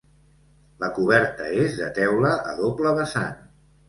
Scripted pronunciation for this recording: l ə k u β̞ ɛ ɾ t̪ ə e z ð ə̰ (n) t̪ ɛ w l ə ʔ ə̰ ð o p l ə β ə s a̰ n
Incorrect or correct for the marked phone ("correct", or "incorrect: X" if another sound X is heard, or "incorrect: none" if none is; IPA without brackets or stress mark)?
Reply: incorrect: none